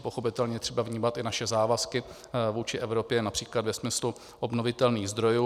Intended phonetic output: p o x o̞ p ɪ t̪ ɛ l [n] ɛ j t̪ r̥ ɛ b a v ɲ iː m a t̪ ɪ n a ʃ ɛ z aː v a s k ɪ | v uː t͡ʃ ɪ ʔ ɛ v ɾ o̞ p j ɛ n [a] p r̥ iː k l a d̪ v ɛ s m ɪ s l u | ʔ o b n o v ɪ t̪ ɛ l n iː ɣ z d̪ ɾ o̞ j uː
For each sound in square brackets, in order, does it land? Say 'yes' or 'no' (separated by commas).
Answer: no, yes